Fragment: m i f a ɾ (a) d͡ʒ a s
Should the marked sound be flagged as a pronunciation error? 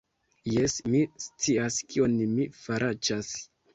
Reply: no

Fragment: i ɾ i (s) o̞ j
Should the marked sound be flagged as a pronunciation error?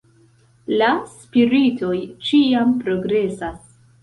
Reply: yes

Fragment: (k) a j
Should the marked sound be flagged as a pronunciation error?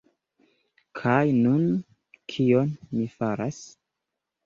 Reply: yes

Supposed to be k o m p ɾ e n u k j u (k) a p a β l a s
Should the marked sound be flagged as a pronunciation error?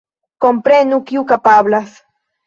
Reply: no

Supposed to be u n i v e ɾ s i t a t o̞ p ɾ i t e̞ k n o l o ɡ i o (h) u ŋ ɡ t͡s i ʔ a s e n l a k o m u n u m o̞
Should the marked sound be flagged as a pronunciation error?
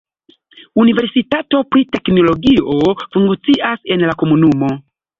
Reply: yes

